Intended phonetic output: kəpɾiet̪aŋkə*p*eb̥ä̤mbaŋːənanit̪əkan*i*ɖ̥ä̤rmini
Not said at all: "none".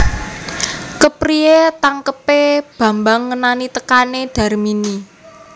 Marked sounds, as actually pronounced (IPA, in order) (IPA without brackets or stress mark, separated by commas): p, e